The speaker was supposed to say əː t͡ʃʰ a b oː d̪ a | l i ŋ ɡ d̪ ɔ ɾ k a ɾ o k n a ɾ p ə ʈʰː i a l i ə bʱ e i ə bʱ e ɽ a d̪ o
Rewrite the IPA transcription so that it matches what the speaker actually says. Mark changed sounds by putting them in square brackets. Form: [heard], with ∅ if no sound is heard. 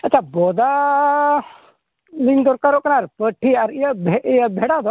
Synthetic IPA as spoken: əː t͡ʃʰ a b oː d̪ a | l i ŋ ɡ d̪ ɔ ɾ k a ɾ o k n a ɾ p ə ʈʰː i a [ɾ] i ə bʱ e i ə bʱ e ɽ a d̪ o